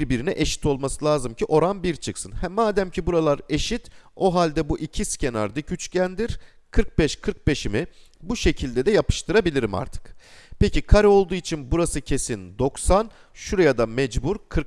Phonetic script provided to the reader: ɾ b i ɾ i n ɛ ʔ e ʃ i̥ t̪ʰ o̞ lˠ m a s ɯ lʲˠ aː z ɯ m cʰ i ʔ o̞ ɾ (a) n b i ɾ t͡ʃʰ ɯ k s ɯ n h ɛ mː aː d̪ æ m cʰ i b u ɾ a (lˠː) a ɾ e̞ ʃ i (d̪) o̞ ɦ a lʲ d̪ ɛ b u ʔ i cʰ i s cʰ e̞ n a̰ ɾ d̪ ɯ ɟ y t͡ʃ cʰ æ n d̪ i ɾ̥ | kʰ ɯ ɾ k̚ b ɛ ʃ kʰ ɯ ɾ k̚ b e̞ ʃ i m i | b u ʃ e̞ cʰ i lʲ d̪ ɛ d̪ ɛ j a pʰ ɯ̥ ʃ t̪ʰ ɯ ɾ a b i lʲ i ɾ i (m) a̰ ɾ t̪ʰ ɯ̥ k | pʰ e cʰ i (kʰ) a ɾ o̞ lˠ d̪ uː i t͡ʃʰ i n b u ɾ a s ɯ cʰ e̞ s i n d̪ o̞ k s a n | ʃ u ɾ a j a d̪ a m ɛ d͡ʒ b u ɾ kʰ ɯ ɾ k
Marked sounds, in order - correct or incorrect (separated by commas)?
correct, incorrect, incorrect, correct, correct